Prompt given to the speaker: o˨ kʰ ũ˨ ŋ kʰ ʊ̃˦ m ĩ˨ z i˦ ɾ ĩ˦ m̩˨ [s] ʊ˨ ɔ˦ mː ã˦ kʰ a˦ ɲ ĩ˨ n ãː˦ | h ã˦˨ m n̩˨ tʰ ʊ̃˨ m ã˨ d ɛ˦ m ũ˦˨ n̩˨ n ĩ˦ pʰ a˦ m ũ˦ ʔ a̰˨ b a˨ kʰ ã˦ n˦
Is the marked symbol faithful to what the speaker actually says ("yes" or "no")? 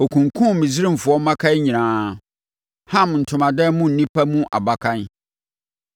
no